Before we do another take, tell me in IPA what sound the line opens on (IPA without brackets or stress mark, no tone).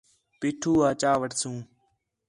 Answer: p